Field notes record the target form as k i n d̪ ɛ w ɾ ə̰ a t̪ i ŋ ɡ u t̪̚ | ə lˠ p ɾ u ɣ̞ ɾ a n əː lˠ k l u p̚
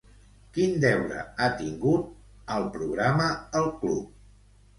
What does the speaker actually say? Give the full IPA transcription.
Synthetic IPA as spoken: k i n d̪ ɛ w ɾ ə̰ a t̪ i ŋ ɡ u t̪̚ | ə lˠ p ɾ u ɣ̞ ɾ a m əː lˠ k l u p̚